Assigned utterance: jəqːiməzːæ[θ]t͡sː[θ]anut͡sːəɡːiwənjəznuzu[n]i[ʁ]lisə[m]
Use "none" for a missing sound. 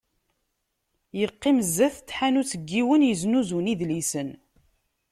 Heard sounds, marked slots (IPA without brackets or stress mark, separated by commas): θ, ħ, n, ð, n